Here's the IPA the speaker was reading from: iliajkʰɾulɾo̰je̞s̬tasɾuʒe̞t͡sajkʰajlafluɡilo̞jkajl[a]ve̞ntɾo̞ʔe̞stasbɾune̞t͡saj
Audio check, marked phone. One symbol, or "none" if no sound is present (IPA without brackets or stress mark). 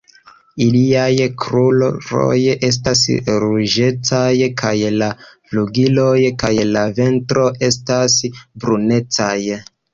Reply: a